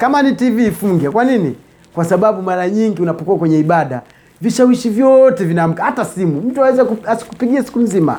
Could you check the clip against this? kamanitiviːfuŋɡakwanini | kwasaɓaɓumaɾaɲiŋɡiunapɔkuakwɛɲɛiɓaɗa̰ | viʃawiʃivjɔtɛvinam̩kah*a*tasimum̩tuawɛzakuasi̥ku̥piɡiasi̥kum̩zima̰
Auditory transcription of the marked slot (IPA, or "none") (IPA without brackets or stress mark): a